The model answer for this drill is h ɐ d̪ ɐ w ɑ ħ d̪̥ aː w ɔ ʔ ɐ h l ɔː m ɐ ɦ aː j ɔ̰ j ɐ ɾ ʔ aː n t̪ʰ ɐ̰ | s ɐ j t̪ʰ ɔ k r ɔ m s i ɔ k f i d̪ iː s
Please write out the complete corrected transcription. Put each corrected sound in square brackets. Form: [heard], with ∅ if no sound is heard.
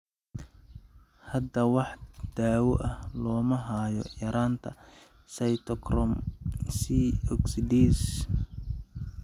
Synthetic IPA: h ɐ d̪ ɐ w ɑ ħ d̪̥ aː w ɔ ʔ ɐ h l ɔː m ɐ ɦ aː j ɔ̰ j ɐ ɾ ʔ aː n t̪ʰ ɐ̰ | s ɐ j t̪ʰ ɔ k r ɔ m s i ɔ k [s] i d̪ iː s